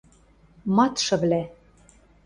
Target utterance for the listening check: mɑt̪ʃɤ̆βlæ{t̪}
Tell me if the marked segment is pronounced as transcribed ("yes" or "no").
no